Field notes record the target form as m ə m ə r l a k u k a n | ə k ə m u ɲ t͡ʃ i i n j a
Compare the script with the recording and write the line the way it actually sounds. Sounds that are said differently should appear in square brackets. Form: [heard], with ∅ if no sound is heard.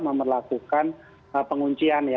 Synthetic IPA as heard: m ə m ə r l a k u k a n | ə [p] ə [ŋ] u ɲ t͡ʃ i [a] n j a